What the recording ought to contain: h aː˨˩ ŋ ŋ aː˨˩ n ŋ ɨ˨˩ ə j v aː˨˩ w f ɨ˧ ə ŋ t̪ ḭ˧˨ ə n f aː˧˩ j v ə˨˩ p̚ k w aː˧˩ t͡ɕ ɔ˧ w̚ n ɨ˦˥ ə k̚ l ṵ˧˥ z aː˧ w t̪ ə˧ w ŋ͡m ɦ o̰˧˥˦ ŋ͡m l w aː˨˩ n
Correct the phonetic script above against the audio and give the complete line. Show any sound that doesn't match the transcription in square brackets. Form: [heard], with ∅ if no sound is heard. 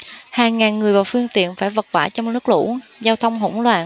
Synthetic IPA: h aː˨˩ ŋ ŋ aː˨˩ n ŋ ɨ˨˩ ə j v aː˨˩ w f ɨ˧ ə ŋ t̪ ḭ˧˨ ə n f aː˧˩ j v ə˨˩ [t̚] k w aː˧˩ t͡ɕ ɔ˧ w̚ n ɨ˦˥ ə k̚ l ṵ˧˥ z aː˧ w [t̪ʰ] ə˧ w ŋ͡m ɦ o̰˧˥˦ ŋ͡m l w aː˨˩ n

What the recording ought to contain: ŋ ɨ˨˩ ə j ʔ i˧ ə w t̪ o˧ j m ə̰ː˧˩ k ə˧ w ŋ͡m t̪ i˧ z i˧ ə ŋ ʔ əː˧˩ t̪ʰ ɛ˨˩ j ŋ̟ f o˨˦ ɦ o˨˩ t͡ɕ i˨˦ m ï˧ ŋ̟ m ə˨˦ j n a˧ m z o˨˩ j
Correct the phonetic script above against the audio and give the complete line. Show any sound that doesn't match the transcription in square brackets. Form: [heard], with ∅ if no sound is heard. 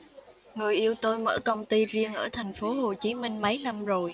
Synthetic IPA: ŋ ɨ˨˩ ə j ʔ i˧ ə w t̪ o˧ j m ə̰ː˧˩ k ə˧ w ŋ͡m t̪ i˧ z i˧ ə ŋ ʔ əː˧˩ t̪ʰ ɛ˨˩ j ŋ̟ f o˨˦ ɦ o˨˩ t͡ɕ i˨˦ m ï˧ ŋ̟ m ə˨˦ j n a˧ m z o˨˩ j

